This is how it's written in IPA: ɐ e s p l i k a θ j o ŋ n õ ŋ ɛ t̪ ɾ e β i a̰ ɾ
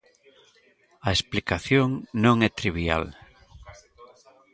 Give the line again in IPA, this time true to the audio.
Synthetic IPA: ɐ e s p l i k a θ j o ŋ n õ ŋ ɛ t̪ ɾ i β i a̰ l